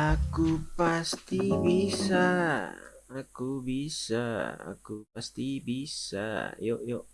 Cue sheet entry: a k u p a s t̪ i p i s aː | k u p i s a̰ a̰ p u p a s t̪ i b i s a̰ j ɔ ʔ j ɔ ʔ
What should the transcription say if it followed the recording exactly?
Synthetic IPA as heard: a k u p a s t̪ i b i s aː | k u b i s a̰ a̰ k u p a s t̪ i b i s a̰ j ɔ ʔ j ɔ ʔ